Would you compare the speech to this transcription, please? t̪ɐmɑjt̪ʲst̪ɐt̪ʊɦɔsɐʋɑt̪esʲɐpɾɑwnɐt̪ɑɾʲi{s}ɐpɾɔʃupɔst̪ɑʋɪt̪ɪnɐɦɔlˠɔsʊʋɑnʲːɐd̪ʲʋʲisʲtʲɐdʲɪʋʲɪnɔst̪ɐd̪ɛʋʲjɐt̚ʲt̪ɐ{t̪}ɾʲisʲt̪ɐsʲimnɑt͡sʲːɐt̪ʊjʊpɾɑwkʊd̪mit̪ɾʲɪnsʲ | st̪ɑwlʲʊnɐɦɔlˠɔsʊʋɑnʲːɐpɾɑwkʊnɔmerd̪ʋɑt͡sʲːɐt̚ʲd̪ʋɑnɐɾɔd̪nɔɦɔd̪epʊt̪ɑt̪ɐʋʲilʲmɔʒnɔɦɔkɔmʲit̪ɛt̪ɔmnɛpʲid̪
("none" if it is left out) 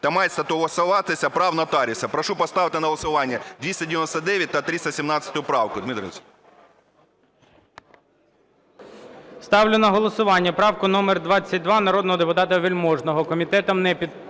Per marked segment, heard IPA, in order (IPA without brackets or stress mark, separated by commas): s, t̪